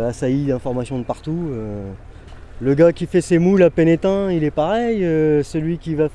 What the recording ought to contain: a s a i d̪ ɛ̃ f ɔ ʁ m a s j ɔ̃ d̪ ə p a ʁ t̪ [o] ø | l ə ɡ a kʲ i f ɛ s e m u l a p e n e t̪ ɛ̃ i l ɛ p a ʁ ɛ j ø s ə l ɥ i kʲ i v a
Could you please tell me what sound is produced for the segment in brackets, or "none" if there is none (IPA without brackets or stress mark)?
u